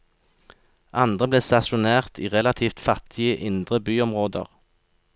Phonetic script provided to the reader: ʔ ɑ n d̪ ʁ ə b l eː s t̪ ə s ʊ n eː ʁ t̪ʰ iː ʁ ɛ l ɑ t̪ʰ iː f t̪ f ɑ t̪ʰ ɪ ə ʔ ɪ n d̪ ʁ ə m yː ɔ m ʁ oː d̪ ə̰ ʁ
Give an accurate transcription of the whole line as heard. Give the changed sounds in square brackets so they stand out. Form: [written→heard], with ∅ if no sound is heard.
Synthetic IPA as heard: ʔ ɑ n d̪ ʁ ə b l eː s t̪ [ə→ɑ] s ʊ n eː ʁ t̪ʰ iː ʁ ɛ l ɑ t̪ʰ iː f t̪ f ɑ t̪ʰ ɪ ə ʔ ɪ n d̪ ʁ ə [m→b] yː ɔ m ʁ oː d̪ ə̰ ʁ